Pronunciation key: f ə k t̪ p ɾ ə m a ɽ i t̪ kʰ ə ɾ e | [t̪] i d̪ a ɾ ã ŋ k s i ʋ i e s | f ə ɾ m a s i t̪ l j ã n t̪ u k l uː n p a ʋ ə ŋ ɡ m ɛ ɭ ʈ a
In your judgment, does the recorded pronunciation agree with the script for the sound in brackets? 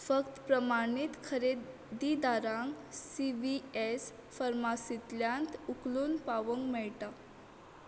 no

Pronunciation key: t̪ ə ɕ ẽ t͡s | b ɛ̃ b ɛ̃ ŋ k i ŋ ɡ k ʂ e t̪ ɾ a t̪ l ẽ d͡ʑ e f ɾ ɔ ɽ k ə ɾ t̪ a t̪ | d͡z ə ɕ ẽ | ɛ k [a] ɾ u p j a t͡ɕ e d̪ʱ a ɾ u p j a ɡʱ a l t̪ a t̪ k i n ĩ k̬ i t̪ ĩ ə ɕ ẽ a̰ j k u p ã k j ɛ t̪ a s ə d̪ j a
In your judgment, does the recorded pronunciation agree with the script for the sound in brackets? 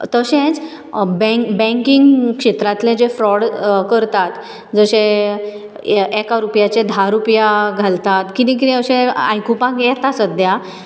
yes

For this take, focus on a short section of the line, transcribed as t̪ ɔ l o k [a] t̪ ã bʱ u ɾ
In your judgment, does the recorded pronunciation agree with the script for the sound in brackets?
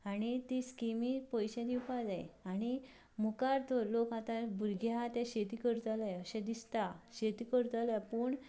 yes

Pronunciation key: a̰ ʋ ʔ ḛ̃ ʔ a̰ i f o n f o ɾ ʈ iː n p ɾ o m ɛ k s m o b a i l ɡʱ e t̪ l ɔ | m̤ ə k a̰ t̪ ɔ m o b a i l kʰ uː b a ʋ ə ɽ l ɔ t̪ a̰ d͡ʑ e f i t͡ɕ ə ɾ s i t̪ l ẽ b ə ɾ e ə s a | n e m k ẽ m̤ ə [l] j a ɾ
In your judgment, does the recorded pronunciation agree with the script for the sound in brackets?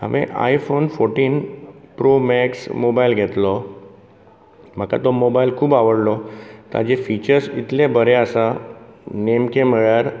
no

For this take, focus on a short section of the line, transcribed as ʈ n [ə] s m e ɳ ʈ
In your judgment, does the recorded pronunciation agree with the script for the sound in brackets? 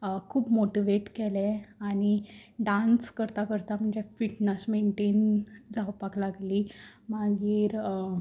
yes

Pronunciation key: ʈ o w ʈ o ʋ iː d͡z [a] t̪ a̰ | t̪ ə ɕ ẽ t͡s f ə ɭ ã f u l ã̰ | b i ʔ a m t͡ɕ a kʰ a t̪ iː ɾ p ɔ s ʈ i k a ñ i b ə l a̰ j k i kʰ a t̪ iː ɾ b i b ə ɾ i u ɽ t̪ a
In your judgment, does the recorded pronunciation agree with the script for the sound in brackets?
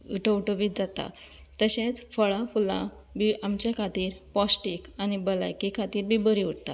yes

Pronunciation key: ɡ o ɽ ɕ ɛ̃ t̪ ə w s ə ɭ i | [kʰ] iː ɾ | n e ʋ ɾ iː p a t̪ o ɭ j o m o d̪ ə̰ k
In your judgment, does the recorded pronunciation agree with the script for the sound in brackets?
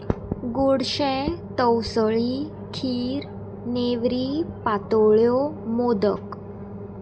yes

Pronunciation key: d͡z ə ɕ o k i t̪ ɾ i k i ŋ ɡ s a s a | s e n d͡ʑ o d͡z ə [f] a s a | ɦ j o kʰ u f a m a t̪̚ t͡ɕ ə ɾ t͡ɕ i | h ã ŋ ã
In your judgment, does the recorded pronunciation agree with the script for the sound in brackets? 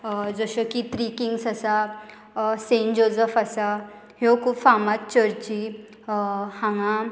yes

